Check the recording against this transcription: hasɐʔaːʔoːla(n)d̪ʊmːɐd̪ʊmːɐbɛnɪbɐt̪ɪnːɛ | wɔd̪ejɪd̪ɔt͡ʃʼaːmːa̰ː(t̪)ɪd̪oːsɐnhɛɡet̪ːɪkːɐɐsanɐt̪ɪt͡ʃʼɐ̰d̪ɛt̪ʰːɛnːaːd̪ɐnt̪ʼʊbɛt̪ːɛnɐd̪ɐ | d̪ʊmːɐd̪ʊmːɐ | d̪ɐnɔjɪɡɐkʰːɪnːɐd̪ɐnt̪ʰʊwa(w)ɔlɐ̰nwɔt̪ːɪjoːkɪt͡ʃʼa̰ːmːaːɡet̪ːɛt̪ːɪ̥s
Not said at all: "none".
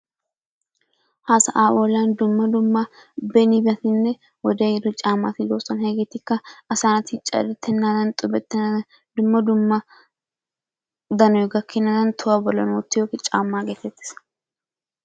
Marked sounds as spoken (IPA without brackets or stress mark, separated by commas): n, t̪, b